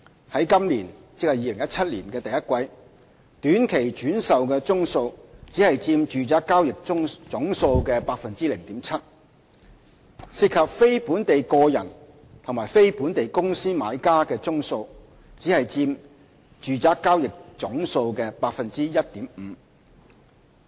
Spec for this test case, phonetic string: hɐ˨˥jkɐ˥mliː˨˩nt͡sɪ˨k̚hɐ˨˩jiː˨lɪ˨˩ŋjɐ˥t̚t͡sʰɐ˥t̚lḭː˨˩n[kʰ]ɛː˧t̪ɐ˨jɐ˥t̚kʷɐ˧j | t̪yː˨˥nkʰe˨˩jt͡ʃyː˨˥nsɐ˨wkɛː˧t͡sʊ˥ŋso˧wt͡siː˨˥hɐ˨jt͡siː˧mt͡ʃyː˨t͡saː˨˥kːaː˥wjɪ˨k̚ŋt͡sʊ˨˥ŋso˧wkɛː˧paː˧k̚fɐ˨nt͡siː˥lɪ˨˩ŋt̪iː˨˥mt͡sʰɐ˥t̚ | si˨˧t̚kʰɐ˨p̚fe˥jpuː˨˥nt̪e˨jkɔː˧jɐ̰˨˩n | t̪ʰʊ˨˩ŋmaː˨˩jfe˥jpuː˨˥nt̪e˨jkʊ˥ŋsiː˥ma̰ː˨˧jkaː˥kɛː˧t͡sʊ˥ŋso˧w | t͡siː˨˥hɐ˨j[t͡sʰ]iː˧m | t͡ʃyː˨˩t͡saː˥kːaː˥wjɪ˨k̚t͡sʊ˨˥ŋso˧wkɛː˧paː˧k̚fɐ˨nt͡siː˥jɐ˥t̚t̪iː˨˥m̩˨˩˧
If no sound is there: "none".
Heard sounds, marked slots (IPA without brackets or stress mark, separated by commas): k, t͡s